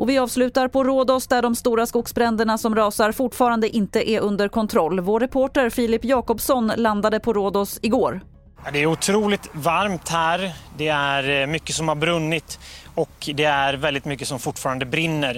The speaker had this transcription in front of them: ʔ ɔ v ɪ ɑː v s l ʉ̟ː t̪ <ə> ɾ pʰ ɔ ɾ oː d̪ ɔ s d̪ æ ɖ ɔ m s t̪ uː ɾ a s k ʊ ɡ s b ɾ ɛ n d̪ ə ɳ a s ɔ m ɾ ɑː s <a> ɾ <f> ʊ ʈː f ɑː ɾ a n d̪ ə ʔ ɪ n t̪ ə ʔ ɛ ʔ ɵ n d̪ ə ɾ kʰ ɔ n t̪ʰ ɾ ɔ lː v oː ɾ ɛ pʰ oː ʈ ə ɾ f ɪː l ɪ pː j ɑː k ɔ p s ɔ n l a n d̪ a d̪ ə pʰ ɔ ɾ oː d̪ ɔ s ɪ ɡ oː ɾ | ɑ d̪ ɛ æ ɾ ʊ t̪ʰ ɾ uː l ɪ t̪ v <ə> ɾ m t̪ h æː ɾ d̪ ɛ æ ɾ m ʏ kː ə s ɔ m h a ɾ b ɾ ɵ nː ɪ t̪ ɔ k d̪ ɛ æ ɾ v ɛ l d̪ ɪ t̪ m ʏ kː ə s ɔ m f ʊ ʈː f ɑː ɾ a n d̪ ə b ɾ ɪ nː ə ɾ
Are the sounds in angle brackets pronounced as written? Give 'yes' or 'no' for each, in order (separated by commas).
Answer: no, yes, yes, no